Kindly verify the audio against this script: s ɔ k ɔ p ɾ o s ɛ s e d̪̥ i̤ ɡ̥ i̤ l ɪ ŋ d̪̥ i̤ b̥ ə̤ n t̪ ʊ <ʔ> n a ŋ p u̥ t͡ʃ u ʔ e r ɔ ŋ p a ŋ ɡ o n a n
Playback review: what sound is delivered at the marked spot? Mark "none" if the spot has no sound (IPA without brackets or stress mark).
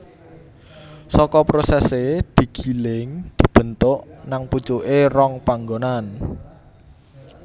ʔ